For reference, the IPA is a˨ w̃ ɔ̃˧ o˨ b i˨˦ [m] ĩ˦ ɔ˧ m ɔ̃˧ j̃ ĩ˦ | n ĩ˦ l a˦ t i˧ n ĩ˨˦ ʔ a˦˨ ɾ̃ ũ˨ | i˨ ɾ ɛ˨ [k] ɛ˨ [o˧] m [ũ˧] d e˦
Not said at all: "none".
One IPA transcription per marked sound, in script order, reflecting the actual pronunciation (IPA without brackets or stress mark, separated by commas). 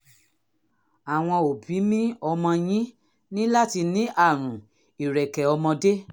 m, k, ɔ˧, ɔ̃˧